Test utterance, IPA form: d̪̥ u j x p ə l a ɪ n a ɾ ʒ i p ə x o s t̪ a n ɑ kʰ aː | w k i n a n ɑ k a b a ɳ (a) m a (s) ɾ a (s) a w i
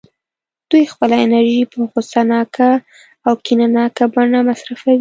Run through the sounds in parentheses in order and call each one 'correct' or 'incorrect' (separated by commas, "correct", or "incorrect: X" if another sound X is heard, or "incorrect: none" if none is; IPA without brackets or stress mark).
correct, correct, incorrect: f